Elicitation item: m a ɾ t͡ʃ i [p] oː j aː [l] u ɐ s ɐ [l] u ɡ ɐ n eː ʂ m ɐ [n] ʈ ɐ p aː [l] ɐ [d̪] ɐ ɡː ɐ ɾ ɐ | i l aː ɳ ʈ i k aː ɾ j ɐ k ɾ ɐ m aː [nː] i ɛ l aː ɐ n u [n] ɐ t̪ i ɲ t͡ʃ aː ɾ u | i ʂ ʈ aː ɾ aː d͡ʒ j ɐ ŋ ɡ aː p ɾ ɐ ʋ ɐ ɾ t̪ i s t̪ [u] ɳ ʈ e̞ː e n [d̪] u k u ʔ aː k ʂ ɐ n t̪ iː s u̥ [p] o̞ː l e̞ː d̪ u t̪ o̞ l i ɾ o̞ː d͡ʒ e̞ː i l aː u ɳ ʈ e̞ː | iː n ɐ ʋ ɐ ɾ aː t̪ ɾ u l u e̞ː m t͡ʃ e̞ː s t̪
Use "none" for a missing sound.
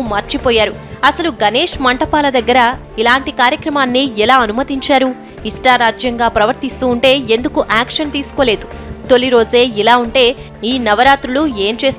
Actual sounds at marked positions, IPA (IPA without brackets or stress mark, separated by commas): p, ɾ, l, ɳ, l, d̪, nː, m, uː, d̪, k